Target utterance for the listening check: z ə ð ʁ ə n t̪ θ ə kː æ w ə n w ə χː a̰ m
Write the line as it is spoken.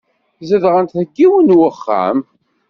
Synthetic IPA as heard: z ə ð ʁ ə n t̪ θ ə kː i w ə n w ə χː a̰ m